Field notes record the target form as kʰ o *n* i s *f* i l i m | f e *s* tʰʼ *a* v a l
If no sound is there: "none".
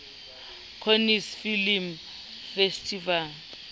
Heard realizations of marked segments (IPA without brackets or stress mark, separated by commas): n, f, s, i